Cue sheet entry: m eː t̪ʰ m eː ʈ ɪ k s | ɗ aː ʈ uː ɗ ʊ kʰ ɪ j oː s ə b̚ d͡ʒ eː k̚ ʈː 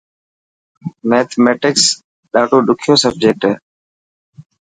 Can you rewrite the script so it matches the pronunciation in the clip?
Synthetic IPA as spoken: m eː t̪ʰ m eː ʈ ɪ k s | ɗ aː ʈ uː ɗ ʊ kʰ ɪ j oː s ə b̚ d͡ʒ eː k̚ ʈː